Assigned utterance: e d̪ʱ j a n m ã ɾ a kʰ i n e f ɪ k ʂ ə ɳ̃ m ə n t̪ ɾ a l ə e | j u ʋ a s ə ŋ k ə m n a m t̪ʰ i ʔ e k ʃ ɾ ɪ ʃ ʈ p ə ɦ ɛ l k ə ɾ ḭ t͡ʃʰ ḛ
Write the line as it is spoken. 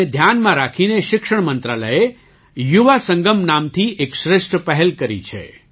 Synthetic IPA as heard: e d̪ʱ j a n m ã ɾ a kʰ i n e ʃ ɪ k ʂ ə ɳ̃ m ə n t̪ ɾ a l ə e | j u ʋ a s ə ŋ ɡ ə m n a m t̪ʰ i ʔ e k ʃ ɾ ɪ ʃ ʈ p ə ɦ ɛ l k ə ɾ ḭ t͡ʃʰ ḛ